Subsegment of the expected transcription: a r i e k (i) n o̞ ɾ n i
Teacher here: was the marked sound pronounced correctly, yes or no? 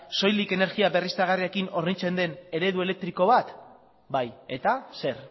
yes